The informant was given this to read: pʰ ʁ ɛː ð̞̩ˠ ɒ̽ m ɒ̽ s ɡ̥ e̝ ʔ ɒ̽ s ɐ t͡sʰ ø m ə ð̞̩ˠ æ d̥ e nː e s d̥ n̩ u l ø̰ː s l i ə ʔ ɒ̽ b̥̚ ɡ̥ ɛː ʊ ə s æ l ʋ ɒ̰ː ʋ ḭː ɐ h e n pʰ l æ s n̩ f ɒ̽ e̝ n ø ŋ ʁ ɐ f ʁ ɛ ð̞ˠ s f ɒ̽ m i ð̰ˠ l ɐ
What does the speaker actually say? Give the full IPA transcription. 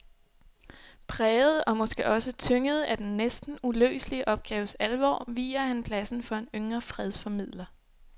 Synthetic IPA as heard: pʰ ʁ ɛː ð̞̩ˠ ɒ̽ m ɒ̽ s ɡ̥ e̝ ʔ ɒ̽ s ə t͡sʰ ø ŋ ə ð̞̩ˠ æ d̥ e nː e s d̥ n̩ u l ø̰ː s l i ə ʔ ɒ̽ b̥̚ ɡ̥ ɛː ʊ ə s æ l ʋ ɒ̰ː ʋ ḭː ɐ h æ n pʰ l æ s n̩ f ɒ̽ e̝ n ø ŋ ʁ ɐ f ʁ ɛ ð̞ˠ s f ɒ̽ m i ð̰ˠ l ɐ